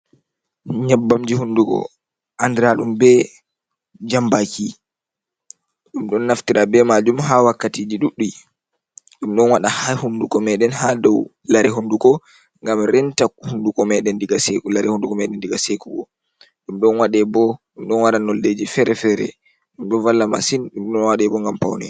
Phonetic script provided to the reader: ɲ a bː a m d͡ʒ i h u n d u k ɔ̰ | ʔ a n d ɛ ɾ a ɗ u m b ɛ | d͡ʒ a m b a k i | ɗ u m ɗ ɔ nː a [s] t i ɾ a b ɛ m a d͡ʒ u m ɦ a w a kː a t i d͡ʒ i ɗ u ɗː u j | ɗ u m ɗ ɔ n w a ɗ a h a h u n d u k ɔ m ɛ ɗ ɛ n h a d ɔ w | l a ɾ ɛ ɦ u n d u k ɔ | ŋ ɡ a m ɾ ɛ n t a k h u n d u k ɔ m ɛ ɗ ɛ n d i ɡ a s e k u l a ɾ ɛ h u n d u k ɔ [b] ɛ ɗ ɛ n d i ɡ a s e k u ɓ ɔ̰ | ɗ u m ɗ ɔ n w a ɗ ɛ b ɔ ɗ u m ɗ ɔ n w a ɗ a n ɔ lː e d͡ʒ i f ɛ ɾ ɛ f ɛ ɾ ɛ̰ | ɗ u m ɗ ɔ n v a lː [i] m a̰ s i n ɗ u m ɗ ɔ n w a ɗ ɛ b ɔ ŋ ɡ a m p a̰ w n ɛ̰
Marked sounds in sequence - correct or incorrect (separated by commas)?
incorrect, incorrect, incorrect